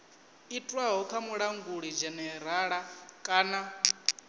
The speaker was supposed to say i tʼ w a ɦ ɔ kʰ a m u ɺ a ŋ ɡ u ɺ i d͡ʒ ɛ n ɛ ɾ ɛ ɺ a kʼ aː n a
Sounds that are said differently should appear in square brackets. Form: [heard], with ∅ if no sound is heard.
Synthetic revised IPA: i tʼ w a ɦ ɔ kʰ a m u ɺ a ŋ ɡ u ɺ i d͡ʒ ɛ n ɛ ɾ [a] ɺ a kʼ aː n a